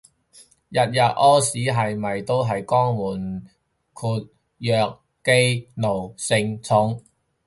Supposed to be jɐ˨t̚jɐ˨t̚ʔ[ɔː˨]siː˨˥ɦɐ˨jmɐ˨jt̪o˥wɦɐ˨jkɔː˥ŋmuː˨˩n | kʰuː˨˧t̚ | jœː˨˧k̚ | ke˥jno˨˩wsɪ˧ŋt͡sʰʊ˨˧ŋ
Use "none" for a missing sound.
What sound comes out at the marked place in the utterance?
ɔː˥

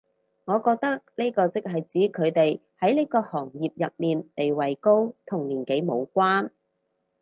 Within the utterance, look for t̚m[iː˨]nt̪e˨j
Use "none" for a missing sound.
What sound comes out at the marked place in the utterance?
iː˨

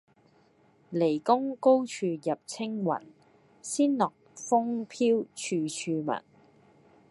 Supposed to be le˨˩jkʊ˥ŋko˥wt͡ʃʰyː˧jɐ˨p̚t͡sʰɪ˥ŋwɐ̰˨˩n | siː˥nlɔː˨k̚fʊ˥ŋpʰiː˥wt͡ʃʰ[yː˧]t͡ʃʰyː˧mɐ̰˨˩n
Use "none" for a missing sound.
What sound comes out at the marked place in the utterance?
yː˧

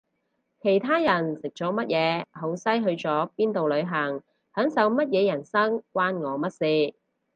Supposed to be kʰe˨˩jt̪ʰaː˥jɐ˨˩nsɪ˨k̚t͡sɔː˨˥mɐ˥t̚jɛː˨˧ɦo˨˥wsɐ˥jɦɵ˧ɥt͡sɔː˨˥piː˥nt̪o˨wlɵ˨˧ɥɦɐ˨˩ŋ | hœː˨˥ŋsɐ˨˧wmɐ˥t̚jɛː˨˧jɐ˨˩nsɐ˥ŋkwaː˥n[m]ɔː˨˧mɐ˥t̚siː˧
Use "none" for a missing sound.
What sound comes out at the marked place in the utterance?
ŋ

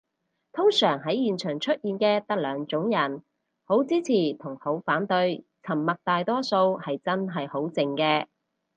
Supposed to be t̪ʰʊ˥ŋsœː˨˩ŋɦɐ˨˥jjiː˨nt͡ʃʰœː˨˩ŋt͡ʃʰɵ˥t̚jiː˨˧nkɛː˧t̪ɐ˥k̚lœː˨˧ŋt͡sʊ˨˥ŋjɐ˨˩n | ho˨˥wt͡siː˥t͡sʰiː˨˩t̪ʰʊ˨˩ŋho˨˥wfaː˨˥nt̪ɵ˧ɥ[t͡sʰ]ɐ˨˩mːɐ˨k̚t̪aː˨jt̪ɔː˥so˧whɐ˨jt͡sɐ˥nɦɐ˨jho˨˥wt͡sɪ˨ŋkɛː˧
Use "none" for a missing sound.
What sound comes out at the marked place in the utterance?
t͡sʰ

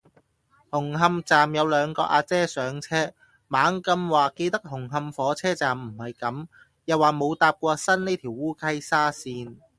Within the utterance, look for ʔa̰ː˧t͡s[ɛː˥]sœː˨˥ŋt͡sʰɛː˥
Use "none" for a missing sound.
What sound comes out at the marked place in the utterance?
ɛː˥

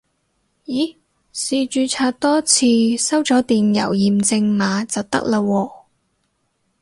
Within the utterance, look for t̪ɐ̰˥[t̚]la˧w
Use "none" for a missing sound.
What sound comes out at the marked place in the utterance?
k̚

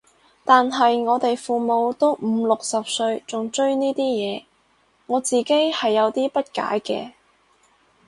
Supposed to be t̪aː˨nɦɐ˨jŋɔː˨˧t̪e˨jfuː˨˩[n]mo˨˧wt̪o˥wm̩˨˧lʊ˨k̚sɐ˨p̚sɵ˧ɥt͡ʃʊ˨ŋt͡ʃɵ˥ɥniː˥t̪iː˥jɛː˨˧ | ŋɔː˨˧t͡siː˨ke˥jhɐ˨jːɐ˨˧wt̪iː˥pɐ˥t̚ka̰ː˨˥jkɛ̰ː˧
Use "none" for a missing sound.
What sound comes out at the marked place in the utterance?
none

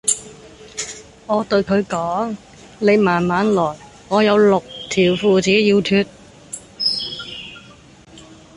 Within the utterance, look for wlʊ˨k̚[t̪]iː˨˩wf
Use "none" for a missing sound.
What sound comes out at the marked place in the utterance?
t̪ʰ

